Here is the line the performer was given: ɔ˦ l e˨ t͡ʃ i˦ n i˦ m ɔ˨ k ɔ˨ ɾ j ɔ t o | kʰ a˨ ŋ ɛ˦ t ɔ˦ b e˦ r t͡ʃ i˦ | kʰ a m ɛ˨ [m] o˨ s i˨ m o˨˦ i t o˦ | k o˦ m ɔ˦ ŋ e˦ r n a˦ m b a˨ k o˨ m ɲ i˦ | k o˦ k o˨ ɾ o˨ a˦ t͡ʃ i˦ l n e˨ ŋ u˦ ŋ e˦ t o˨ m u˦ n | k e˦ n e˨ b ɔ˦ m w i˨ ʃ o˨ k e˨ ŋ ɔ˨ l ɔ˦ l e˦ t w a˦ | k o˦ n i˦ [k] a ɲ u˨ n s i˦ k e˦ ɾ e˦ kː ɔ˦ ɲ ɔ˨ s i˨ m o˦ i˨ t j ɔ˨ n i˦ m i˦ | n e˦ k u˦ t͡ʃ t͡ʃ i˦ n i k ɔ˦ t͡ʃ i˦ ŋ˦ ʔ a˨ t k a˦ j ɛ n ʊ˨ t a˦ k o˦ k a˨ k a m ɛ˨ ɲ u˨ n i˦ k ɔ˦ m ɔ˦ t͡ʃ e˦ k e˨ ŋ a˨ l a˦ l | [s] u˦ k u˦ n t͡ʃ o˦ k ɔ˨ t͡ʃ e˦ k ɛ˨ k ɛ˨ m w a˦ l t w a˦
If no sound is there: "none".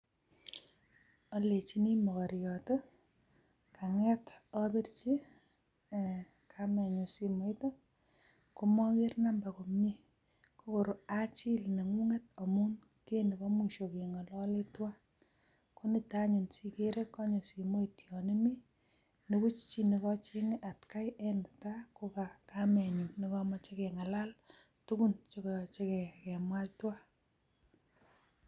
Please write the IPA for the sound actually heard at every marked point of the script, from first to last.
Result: ɲ, t, t

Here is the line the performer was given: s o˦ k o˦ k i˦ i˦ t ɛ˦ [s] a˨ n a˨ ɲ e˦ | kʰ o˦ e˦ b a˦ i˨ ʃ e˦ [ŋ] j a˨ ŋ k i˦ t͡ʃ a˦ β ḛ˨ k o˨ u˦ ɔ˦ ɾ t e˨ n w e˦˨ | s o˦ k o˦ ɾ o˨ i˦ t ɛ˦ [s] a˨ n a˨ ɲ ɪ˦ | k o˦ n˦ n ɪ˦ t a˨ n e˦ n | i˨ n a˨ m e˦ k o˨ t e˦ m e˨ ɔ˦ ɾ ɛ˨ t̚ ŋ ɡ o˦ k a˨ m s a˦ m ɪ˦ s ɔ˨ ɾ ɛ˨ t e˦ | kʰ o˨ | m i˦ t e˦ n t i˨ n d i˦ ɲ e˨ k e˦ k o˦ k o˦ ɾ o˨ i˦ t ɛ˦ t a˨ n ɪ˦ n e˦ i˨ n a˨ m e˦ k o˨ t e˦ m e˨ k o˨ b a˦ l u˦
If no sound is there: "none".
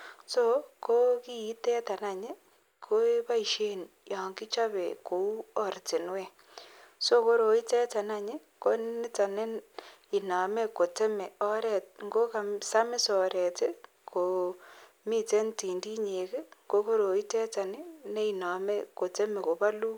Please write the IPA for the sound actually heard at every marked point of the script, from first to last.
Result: t, n, t

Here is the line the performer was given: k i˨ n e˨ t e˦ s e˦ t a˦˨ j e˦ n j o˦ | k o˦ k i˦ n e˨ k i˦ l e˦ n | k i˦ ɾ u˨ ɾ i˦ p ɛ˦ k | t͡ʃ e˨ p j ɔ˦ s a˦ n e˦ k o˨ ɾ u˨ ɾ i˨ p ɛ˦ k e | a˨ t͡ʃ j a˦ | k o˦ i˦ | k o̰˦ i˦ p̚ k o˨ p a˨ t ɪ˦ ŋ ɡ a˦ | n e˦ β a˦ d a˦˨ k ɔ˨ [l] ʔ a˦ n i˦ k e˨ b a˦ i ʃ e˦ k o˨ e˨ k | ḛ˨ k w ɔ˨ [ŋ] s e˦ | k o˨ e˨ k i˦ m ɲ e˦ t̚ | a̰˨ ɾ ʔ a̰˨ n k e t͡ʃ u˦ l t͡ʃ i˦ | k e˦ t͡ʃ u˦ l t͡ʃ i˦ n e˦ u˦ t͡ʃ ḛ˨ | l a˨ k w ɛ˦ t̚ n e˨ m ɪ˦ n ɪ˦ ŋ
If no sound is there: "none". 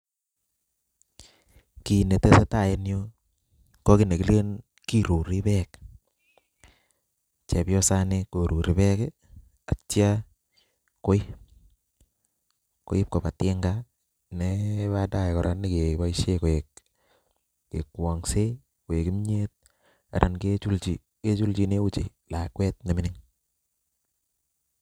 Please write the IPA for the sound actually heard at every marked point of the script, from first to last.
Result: ɾ, ŋ

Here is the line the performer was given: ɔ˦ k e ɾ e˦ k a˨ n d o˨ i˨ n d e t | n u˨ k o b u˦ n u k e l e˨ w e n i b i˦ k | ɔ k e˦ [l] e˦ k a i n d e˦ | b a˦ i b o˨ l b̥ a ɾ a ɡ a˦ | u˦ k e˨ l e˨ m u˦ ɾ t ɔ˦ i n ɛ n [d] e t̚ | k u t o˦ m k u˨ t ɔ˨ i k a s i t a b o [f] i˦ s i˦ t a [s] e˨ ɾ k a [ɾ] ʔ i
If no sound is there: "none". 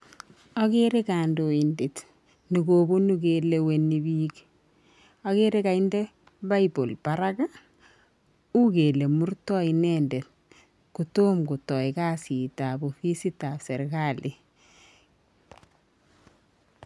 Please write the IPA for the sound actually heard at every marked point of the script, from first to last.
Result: ɾ, d, f, s, l

